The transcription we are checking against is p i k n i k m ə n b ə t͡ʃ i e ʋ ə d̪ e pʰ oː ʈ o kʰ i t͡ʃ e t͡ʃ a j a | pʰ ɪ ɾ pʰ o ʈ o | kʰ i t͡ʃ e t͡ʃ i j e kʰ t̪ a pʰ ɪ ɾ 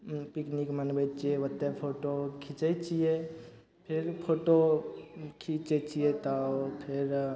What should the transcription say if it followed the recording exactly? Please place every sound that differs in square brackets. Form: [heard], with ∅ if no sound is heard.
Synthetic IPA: p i k n i k m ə n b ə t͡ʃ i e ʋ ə [t̪] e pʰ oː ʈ o kʰ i t͡ʃ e t͡ʃ [i] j [e] | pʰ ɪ ɾ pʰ o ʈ o | kʰ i t͡ʃ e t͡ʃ i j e [∅] t̪ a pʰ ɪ ɾ